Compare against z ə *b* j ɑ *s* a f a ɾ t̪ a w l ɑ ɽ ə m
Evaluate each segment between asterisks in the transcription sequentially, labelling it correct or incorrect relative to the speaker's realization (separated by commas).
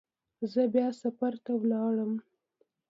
correct, correct